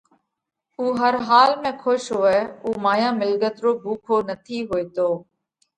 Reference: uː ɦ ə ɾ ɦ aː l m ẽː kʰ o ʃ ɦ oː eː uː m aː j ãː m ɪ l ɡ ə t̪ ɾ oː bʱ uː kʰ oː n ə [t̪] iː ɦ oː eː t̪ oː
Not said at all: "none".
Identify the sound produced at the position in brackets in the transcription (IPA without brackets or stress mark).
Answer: t̪ʰ